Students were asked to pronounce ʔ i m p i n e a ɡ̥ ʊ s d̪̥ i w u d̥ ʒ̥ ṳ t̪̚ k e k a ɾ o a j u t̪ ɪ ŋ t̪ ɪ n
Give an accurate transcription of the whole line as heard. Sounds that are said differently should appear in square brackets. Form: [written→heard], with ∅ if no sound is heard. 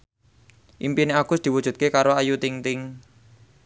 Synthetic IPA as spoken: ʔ i m p i n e a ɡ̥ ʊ s d̪̥ i w u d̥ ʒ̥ ṳ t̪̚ k e k a ɾ o a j u t̪ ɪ ŋ t̪ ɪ [n→ŋ]